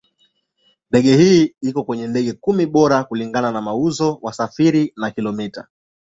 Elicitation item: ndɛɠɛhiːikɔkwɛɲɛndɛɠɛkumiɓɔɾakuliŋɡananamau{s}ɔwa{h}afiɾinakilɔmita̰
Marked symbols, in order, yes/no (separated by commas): no, no